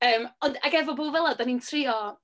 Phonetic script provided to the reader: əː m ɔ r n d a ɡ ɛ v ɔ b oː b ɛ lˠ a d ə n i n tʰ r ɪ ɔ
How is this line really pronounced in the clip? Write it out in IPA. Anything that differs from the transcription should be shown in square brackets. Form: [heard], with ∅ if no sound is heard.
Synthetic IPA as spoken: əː m ɔ [∅] n d a ɡ ɛ v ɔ b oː [v] ɛ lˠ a d [a] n i n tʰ r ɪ ɔ